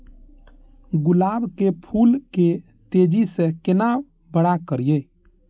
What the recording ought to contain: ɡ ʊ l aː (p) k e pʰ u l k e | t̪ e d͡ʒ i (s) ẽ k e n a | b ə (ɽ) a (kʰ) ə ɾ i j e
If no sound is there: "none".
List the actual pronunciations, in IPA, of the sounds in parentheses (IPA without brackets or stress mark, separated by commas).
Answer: b, s, ɽ, k